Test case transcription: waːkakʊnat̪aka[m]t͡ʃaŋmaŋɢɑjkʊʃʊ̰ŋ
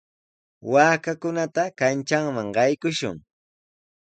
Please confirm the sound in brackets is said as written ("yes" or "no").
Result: no